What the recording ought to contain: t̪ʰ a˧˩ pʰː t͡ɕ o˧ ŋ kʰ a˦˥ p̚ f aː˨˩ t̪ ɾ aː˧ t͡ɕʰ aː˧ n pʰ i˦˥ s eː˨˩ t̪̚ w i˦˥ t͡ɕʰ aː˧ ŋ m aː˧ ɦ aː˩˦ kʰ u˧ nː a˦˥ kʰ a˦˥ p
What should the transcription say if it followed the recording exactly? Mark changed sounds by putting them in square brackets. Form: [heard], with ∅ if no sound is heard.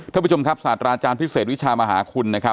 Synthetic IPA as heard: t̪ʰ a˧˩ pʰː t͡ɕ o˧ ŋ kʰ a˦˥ p̚ [s] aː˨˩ t̪ ɾ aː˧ [t͡ɕ] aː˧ n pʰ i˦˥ s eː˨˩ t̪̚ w i˦˥ t͡ɕʰ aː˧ [∅] m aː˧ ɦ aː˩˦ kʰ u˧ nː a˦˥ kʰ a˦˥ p